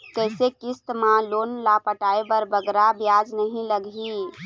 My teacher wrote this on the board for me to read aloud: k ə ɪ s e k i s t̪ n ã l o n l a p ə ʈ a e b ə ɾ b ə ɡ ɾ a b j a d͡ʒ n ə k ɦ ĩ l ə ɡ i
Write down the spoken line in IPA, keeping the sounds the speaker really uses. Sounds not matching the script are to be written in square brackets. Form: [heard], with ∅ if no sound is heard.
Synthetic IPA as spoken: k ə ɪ s e k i s t̪ [m] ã l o n l a p ə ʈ a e b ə ɾ b ə ɡ ɾ a b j a d͡ʒ n ə [∅] ɦ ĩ l ə ɡ i